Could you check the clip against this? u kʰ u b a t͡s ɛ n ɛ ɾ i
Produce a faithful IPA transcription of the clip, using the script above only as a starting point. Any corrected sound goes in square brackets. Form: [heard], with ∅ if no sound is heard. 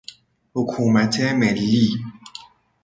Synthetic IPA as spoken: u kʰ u [m] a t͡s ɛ [m] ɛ [l] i